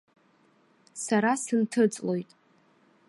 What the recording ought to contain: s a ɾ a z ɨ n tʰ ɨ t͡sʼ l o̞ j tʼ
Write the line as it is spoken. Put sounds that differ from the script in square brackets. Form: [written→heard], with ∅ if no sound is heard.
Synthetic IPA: s a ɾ a [z→s] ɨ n tʰ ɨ t͡sʼ l o̞ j tʼ

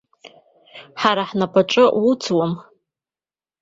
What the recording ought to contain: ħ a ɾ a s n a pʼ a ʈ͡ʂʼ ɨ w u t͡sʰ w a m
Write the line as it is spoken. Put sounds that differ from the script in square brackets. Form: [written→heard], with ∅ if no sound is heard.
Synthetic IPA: ħ a ɾ a [s→ħ] n a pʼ a ʈ͡ʂʼ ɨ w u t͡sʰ w a m

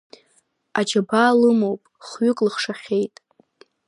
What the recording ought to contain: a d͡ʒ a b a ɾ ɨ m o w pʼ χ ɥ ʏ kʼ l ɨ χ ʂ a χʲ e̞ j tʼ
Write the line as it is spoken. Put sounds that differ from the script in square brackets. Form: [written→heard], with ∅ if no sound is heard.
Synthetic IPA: a d͡ʒ a b a [ɾ→l] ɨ m o w pʼ χ ɥ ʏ kʼ l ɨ χ ʂ a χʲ e̞ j tʼ

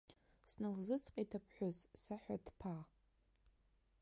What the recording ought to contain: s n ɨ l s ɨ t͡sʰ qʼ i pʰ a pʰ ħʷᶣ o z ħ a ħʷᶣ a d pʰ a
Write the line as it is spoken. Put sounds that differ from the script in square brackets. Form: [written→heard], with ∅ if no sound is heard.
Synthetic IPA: s n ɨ l [s→z] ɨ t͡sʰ qʼ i [pʰ→tʰ] a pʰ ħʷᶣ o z [ħ→s] a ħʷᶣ a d pʰ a

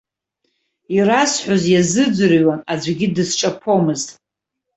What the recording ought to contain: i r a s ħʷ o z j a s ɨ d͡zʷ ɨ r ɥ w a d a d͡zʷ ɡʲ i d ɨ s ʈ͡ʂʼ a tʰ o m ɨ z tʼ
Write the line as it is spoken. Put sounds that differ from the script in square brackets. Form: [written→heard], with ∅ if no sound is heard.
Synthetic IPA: i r a s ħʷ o z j a [s→z] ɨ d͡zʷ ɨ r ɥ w a [d→n] a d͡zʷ ɡʲ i d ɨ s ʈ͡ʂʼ a [tʰ→pʰ] o m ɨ z tʼ

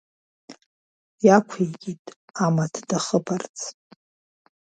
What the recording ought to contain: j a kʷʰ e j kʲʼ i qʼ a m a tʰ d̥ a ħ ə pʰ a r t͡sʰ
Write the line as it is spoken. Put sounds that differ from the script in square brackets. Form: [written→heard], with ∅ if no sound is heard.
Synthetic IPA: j a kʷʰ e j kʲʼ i [qʼ→tʼ] a m a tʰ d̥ a [ħ→χ] ə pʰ a r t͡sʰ

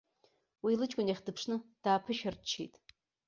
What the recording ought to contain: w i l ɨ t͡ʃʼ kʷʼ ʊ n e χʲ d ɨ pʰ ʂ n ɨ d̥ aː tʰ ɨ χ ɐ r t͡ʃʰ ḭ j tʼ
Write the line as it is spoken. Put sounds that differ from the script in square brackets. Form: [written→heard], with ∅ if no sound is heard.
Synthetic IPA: w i l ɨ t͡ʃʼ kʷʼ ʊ n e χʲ d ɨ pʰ ʂ n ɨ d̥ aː [tʰ→pʰ] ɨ [χ→ʃ] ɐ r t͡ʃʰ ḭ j tʼ

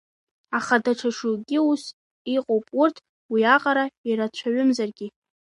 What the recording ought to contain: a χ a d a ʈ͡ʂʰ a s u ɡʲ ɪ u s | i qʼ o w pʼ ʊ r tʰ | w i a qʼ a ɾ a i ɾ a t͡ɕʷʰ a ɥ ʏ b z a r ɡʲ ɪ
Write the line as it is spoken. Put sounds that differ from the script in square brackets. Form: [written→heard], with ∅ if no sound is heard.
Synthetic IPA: a χ a d a ʈ͡ʂʰ a [s→ʂ] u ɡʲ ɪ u s | i qʼ o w pʼ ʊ r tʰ | w i a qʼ a ɾ a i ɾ a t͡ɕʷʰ a ɥ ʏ [b→m] z a r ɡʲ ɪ

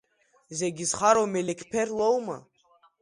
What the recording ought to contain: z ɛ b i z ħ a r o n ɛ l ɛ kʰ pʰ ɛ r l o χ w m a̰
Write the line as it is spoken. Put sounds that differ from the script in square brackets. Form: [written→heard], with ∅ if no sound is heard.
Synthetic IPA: z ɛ [b→ɡ] i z [ħ→χ] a [r→ɾ] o [n→m] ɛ l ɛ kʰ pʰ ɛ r l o [χ→∅] w m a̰

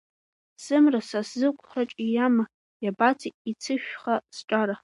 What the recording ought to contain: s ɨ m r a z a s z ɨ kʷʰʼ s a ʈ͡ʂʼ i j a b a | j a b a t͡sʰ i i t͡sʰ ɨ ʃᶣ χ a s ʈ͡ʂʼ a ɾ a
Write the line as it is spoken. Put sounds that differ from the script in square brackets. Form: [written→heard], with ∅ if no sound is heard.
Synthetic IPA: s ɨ m r a [z→s] a s z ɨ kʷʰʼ [s→χ] a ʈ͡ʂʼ i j a [b→m] a | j a b a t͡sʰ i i t͡sʰ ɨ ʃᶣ χ a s ʈ͡ʂʼ a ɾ a

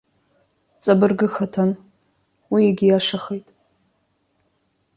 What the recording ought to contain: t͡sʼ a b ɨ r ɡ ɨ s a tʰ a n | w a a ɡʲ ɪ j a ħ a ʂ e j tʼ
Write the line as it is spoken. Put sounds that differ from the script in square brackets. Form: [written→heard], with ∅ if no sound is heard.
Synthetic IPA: t͡sʼ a b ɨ r ɡ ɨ [s→x] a tʰ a n | w [a→i] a ɡʲ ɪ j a [ħ→ʂ] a [ʂ→χ] e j tʼ

